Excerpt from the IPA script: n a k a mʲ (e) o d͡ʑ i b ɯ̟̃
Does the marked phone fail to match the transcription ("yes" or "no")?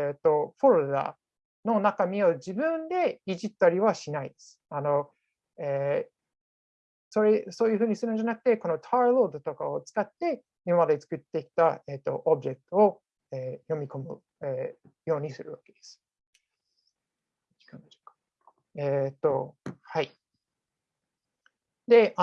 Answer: yes